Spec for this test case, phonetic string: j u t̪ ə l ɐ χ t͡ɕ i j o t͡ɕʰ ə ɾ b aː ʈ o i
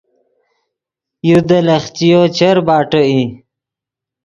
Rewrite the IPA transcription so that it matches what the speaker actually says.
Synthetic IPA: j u d̪ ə l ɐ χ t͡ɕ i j o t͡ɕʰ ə ɾ b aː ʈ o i